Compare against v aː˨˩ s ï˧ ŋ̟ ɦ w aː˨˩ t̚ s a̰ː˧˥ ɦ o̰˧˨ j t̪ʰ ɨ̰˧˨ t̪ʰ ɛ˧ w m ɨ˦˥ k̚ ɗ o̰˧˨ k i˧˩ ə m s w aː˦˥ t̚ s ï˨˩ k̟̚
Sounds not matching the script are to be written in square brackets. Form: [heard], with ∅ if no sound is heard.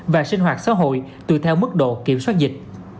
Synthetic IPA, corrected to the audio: v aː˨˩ s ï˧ ŋ̟ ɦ w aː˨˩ t̚ s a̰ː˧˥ ɦ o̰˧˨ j [t̪] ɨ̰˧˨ t̪ʰ ɛ˧ w m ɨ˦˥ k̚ ɗ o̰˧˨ k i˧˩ ə m s w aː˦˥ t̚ [z] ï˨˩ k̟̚